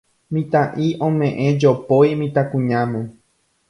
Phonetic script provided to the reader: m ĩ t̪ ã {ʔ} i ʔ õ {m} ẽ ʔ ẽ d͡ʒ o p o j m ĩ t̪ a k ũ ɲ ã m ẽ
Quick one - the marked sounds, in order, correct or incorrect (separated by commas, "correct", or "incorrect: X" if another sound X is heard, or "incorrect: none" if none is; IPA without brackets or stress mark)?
correct, correct